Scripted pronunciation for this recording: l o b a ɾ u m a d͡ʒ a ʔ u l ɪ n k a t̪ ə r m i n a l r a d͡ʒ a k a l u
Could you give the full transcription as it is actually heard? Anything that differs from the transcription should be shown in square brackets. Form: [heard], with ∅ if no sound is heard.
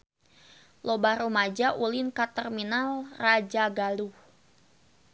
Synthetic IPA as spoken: l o b a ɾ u m a d͡ʒ a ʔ u l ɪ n k a t̪ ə r m i n a l r a d͡ʒ a [ɡ] a l u